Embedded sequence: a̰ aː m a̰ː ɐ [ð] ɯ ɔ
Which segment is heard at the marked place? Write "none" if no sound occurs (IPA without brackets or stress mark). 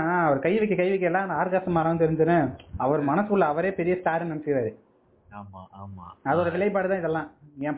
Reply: ð